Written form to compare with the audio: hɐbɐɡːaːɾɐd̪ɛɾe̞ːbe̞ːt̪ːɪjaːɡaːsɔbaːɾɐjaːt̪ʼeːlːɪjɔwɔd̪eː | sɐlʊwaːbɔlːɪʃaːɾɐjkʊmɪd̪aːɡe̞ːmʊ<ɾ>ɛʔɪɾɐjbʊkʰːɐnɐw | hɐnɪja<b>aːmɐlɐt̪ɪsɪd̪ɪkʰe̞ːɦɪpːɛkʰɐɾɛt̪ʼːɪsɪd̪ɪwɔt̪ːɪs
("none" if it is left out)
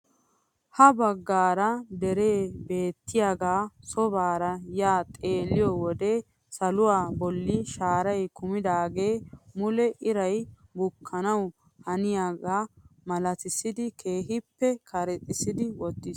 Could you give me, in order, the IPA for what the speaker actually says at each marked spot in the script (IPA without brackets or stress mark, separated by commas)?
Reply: l, ɡ